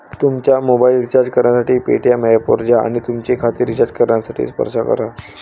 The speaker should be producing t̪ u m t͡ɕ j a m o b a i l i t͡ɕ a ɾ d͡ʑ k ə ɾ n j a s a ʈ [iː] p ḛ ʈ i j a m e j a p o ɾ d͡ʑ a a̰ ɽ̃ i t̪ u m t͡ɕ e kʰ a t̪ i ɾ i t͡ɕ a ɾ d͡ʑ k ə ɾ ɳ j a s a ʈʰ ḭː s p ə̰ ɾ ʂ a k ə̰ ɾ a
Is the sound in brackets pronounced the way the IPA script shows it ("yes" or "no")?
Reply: yes